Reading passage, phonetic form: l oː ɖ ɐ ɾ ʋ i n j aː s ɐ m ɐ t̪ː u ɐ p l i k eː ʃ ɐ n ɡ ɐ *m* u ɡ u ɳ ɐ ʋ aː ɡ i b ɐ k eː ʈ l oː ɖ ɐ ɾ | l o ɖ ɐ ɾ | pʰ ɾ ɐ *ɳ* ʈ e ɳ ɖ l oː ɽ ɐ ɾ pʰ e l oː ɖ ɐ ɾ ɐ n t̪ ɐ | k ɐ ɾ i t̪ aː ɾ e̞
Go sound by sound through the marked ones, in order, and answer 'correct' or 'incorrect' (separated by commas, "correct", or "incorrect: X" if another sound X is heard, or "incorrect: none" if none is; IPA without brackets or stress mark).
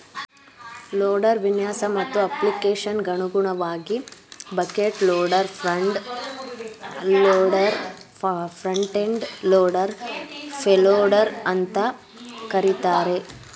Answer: incorrect: ɳ, correct